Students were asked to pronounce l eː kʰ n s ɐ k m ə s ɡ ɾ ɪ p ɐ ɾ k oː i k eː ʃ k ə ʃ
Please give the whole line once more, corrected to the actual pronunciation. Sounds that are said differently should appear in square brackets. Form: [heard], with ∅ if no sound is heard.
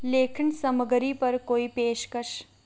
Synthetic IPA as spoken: l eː kʰ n s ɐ [∅] m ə [∅] ɡ ɾ [i] p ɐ ɾ k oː i [p] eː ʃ k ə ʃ